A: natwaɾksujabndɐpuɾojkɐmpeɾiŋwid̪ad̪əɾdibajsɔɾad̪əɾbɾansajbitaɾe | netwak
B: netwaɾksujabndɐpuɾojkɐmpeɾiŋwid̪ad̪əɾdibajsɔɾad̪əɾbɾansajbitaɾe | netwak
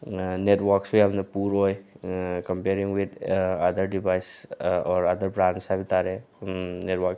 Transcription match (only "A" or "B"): B